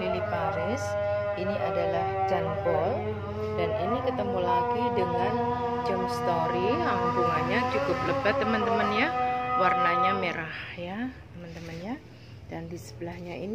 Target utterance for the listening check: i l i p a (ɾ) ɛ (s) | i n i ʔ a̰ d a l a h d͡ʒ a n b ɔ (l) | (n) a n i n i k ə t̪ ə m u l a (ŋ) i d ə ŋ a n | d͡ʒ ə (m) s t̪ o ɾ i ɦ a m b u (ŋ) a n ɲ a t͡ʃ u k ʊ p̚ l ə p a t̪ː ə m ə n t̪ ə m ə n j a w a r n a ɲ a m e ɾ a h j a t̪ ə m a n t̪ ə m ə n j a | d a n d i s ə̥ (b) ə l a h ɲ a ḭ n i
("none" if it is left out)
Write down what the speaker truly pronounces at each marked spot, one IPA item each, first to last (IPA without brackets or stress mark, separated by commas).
ɾ, s, l, d, ɡ, m, ŋ, b